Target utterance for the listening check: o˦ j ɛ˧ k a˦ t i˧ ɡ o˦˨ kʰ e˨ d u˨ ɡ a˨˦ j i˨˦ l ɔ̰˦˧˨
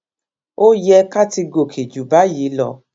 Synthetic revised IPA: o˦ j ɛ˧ k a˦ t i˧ ɡ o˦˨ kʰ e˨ d͡ʒ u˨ b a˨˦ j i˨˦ l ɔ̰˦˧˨